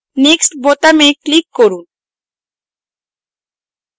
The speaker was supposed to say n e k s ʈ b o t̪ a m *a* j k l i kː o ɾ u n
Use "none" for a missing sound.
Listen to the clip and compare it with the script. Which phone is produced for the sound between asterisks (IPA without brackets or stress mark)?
e